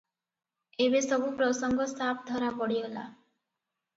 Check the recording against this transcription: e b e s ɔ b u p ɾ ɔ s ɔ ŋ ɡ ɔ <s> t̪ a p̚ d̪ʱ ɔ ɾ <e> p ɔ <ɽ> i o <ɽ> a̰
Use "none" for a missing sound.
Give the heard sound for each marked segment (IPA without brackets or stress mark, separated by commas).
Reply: s, a, ɽ, l